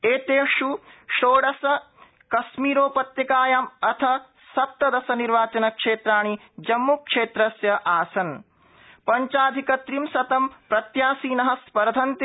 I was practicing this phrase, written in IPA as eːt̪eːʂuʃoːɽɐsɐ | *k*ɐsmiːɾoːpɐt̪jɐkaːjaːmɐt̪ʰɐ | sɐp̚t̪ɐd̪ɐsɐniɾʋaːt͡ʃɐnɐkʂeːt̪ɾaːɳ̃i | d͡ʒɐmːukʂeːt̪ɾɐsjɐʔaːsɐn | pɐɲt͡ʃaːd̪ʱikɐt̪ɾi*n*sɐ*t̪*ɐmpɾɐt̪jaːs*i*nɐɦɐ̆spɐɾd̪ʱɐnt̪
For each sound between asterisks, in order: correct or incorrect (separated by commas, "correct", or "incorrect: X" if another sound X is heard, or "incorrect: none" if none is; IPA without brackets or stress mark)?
correct, incorrect: m, correct, incorrect: iː